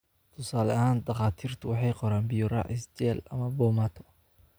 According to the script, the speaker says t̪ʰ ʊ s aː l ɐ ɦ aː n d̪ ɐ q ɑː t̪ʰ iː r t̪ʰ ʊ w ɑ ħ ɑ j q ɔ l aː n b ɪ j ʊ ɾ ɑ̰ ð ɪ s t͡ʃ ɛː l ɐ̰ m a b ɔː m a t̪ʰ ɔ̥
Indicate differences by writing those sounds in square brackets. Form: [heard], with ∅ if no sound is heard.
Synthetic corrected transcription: t̪ʰ ʊ s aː l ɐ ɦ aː n d̪ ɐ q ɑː t̪ʰ iː r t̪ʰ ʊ w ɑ ħ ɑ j q ɔ [ɾ] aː n b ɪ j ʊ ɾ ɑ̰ [ʕ] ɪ s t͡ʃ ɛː l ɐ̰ m [ɐ] b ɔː m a t̪ʰ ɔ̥